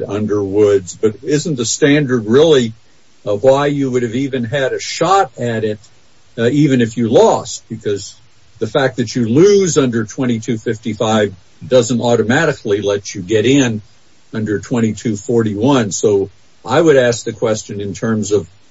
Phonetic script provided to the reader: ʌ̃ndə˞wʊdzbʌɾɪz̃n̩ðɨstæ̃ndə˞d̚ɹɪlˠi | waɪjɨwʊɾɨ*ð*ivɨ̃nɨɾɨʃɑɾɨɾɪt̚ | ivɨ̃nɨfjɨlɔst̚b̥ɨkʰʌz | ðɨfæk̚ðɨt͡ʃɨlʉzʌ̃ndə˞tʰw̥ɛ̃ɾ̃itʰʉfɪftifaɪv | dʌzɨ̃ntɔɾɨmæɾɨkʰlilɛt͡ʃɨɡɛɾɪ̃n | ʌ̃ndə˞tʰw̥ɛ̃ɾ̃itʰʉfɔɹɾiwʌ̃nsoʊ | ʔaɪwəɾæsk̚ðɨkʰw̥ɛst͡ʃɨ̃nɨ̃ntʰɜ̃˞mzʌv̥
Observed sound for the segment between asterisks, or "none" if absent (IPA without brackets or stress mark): v